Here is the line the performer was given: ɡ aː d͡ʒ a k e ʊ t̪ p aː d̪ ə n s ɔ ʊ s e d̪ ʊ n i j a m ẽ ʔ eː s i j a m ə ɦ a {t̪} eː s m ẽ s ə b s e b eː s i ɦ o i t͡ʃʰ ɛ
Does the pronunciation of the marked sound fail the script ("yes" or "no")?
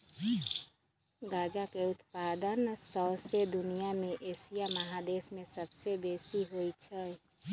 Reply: yes